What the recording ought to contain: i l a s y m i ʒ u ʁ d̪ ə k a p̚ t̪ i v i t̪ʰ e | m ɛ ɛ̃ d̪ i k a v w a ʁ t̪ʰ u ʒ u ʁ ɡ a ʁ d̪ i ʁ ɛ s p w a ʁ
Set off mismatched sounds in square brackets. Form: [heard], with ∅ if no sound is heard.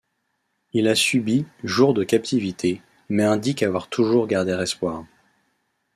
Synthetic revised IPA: i l a s y [b] i ʒ u ʁ d̪ ə k a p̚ t̪ i v i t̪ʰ e | m ɛ ɛ̃ d̪ i k a v w a ʁ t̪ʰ u ʒ u ʁ ɡ a ʁ d̪ [e] ʁ ɛ s p w a ʁ